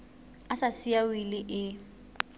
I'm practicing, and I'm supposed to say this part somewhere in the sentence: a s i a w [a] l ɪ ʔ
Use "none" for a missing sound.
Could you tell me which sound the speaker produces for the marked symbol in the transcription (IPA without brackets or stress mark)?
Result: i